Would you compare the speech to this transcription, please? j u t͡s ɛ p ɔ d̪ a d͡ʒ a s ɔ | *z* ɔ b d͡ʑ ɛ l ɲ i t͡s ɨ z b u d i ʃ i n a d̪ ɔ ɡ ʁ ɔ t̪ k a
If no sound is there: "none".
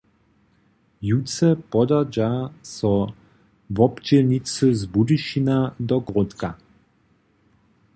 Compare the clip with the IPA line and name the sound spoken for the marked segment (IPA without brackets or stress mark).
v